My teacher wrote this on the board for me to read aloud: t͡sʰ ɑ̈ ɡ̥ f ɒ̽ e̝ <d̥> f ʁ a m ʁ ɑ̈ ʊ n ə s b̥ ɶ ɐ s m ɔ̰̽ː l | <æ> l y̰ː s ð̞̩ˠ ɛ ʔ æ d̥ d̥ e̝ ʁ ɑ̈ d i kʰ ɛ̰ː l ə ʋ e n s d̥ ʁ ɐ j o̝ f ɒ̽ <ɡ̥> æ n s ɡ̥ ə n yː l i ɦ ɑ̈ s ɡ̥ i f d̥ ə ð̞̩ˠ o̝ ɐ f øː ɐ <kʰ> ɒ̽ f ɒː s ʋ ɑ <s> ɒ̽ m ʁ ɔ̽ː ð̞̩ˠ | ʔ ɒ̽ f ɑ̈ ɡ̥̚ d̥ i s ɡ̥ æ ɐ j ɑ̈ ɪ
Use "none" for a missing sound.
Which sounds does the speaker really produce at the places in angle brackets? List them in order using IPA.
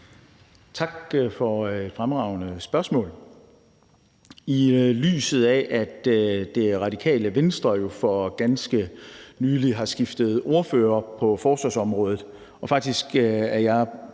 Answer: d̥, i, ɡ̥, pʰ, s

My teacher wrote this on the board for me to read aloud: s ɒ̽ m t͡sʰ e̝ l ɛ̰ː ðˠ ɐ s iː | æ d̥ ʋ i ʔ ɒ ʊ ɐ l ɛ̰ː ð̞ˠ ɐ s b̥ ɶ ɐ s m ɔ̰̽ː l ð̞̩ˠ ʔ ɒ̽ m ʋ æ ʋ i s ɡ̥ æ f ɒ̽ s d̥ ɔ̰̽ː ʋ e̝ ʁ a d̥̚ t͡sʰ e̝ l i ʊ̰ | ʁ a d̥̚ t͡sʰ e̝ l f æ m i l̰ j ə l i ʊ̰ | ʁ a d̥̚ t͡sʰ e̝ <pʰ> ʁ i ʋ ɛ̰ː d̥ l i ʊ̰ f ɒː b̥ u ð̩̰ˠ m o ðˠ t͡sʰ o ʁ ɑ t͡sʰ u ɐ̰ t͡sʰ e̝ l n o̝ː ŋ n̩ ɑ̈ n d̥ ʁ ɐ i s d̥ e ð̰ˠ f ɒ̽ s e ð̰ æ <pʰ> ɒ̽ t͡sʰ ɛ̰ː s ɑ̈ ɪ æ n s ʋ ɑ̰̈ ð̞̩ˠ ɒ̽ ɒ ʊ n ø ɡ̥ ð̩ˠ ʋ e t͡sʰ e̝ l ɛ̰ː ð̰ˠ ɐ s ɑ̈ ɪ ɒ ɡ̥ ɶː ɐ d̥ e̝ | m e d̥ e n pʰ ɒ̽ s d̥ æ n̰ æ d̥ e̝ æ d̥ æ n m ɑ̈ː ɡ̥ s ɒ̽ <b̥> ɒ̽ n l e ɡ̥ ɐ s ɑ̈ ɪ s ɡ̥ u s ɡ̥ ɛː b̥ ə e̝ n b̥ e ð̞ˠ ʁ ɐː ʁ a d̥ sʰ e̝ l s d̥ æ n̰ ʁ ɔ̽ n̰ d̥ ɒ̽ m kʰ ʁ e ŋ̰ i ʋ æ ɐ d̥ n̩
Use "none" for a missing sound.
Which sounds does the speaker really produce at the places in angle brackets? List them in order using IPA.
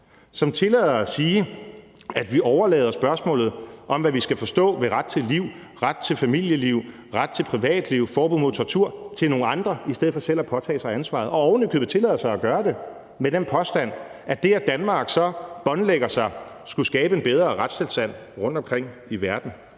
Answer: pʰ, pʰ, b̥

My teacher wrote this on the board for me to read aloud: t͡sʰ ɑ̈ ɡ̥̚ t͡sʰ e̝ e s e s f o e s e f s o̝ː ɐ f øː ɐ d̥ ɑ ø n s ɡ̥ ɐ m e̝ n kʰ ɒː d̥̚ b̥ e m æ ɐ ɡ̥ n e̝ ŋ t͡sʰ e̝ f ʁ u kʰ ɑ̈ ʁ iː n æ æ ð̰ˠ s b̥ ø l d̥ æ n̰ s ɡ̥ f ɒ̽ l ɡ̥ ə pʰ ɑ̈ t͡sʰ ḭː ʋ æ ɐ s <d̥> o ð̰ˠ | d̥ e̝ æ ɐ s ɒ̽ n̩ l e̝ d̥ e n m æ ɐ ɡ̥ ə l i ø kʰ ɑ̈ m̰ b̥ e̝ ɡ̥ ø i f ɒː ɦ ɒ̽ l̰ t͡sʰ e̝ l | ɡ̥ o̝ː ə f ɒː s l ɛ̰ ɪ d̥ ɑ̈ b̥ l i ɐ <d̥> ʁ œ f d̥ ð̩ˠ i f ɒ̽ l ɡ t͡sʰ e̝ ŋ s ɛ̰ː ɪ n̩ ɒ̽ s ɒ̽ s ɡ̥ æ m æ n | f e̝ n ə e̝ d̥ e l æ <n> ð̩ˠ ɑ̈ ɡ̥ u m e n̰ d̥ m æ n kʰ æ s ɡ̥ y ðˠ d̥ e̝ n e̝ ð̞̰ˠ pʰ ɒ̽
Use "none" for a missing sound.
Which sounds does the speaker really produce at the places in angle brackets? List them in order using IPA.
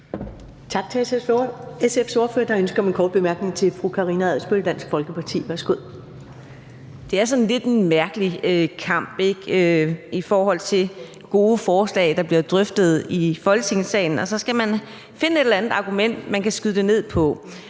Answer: ɡ̥, d̥, n

